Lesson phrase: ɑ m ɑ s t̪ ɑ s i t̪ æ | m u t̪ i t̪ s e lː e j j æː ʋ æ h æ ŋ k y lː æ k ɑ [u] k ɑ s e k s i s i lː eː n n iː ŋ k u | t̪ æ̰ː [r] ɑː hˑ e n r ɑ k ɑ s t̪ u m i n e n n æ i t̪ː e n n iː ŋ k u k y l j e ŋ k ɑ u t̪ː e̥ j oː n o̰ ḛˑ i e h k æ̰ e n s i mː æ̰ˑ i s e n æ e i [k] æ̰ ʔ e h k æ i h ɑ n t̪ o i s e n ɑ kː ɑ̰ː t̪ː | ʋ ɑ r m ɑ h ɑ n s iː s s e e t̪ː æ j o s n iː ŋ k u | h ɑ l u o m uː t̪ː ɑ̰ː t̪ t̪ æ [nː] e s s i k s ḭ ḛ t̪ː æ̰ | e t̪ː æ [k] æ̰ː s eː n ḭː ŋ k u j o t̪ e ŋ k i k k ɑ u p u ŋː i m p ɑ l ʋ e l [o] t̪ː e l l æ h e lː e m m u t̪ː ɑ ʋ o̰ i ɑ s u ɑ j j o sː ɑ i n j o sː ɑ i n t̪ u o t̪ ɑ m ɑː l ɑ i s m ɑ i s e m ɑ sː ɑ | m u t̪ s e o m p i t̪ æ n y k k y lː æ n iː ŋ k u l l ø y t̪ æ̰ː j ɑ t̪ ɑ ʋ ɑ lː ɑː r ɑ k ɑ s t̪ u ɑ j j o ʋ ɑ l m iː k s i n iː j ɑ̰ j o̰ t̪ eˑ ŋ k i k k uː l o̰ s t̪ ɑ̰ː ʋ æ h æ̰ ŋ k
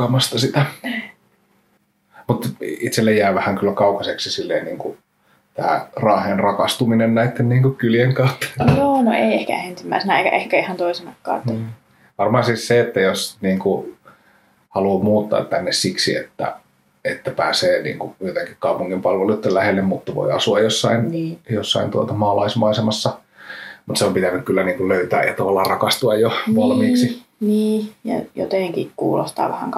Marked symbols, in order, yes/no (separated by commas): yes, yes, yes, yes, no, no